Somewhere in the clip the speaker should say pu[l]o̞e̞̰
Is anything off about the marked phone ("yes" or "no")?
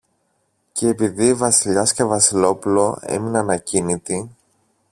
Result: no